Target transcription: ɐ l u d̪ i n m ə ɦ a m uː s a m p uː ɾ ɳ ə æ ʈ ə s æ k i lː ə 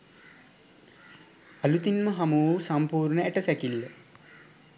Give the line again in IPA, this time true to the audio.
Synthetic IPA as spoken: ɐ l u t̪ i n m ə ɦ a m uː s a m p uː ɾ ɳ ə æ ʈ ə s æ k i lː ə